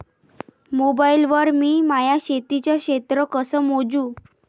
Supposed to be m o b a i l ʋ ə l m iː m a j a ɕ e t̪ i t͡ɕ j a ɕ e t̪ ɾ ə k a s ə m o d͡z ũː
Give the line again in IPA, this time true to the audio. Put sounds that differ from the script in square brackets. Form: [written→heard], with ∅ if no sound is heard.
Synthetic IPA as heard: m o b a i l ʋ ə [l→ɾ] m iː m a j a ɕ e t̪ i t͡ɕ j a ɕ e t̪ ɾ ə k [a→ə] s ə m o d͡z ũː